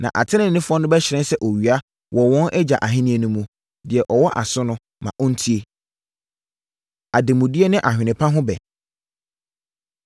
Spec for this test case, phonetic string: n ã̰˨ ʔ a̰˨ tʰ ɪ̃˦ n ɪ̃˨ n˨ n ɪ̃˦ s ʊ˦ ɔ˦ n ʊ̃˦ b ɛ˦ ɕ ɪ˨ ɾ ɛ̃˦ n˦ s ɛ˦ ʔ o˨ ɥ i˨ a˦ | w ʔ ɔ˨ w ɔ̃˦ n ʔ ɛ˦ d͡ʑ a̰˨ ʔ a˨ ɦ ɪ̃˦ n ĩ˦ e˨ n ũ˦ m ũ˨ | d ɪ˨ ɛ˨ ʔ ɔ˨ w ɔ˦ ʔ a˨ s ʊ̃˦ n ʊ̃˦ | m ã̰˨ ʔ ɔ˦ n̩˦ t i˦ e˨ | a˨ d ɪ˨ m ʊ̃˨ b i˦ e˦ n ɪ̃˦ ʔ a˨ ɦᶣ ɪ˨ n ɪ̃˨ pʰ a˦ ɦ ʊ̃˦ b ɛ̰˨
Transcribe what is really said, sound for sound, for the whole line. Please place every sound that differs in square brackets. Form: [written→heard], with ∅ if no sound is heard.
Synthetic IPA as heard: n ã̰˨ ʔ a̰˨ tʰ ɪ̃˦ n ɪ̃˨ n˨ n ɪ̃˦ [s→f] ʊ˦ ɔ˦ n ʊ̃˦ b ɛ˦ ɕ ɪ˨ ɾ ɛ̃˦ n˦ s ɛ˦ ʔ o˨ ɥ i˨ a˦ | w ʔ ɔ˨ w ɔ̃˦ n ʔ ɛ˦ d͡ʑ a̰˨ ʔ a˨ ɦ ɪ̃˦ n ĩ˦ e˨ n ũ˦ m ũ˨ | d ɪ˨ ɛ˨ ʔ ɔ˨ w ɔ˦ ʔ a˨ s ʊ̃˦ n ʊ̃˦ | m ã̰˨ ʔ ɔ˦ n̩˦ [t→tʰ] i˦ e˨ | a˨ d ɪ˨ m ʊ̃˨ [b→d] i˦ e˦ n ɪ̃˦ ʔ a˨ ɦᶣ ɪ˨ n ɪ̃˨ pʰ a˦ ɦ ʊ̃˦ b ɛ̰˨

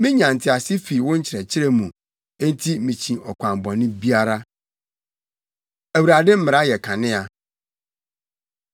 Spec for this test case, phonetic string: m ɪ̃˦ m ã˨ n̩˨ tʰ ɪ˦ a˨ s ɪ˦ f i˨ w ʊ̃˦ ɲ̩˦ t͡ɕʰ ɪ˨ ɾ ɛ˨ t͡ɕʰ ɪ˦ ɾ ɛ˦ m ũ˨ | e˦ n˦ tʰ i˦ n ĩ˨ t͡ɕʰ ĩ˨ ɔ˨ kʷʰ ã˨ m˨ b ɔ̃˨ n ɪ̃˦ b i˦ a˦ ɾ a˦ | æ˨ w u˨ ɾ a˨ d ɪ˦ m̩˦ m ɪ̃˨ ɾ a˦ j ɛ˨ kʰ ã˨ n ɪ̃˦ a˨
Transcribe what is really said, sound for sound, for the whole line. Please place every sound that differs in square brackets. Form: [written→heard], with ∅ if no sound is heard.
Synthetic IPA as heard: m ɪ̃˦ [m→ɲ] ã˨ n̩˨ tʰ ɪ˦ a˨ s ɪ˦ f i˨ w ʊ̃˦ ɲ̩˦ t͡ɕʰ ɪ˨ ɾ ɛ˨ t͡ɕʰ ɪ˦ ɾ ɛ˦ m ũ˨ | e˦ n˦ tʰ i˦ [n→m] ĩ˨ t͡ɕʰ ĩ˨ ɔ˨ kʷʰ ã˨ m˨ b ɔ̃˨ n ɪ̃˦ b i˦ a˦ ɾ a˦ | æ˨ w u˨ ɾ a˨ d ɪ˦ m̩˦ m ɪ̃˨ ɾ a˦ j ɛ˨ kʰ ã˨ n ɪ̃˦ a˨

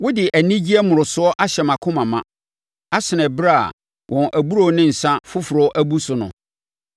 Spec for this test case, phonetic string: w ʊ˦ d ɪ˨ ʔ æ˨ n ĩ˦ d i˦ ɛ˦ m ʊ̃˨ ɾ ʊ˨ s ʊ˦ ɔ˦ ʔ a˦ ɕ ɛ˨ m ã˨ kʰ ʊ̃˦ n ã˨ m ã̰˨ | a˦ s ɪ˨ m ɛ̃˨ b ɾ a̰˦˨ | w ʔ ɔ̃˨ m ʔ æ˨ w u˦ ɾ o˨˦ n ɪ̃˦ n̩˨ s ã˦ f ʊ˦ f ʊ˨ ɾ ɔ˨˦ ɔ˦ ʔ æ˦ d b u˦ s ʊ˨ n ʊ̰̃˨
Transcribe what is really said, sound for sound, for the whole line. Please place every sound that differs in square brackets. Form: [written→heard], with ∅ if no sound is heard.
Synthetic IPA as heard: w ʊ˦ d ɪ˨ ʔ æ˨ n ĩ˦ [d→d͡ʑ] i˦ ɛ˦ m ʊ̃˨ ɾ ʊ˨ s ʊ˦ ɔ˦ ʔ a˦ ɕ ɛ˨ m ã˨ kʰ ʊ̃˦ [n→m] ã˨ m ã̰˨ | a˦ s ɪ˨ [m→n] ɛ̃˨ b ɾ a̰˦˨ | w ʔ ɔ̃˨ [m→n] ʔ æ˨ [w→b] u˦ ɾ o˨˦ n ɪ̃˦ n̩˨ s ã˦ f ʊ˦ f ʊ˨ ɾ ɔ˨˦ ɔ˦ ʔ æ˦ [d→∅] b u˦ s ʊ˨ n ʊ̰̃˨

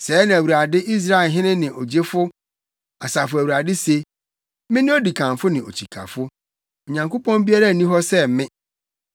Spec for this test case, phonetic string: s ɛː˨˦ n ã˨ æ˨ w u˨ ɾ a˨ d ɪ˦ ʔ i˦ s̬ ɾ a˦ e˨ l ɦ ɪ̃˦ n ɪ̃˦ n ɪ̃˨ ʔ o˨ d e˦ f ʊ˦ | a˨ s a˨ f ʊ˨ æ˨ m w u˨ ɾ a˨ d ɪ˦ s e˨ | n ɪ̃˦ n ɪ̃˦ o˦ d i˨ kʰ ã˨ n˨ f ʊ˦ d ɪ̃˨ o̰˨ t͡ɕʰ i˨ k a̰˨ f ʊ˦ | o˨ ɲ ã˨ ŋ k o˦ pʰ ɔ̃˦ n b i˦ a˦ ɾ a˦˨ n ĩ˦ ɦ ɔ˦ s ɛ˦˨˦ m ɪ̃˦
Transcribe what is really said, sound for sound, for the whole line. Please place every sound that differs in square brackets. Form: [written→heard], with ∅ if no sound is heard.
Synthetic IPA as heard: s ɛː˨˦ n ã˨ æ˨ w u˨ ɾ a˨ d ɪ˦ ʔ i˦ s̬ ɾ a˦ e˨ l ɦ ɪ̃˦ n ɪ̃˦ n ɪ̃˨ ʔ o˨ [d→d͡ʑ] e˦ f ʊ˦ | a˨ s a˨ f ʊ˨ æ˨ [m→∅] w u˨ ɾ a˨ d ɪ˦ s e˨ | [n→m] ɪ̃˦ n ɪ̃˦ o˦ d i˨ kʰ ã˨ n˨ f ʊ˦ [d→n] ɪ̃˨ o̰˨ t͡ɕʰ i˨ [k→kʰ] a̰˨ f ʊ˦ | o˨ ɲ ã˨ ŋ k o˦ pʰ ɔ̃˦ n b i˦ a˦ ɾ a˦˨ n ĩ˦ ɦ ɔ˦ s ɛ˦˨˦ m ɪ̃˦

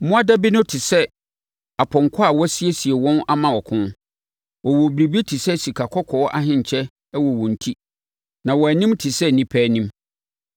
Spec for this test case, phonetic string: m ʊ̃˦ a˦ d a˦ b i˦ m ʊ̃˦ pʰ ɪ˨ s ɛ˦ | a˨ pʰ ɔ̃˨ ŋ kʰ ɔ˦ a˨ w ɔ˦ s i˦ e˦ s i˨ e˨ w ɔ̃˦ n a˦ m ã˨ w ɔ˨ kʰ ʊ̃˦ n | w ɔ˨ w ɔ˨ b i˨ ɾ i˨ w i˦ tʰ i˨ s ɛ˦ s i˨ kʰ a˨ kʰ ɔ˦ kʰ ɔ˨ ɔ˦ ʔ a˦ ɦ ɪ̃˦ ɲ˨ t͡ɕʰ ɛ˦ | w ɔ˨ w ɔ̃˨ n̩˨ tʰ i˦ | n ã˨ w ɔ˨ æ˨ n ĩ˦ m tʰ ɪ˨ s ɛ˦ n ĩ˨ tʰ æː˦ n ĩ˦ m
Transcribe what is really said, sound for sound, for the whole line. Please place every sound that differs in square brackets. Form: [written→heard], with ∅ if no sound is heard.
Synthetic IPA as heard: m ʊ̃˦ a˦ d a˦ b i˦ [m→n] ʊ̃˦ [pʰ→tʰ] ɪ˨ s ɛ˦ | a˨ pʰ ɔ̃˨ ŋ kʰ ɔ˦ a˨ w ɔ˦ s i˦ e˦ s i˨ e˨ w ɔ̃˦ n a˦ m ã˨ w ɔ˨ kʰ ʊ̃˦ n | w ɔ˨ w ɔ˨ b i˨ ɾ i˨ [w→b] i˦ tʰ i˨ s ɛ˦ s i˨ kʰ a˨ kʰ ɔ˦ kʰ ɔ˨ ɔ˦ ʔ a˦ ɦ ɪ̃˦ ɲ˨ t͡ɕʰ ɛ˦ | w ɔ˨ w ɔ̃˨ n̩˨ tʰ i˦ | n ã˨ w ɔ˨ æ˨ n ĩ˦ m tʰ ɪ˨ s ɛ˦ n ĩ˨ [tʰ→pʰ] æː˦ n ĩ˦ m

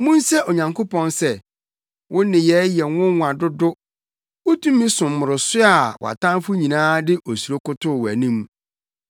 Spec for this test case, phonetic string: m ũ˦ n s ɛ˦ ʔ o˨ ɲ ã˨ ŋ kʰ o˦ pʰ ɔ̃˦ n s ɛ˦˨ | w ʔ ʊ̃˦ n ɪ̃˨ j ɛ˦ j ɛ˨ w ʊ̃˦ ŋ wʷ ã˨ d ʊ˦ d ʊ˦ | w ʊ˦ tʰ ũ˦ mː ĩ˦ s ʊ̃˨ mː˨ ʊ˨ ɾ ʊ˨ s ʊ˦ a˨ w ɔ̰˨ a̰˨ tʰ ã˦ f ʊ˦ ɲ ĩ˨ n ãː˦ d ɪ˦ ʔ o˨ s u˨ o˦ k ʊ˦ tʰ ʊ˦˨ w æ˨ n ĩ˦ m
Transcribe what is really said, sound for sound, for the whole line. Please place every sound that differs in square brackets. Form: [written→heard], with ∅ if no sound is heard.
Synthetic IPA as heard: m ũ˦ n s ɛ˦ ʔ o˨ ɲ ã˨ ŋ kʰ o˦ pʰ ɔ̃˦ n s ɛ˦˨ | w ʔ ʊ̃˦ n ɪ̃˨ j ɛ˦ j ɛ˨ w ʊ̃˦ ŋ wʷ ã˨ d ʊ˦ d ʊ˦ | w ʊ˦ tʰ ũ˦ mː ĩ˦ s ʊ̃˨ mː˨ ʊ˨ ɾ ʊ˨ s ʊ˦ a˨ w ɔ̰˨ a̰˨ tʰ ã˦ f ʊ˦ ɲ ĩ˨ n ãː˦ d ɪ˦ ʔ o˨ s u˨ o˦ k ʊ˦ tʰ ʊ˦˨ w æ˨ n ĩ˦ m

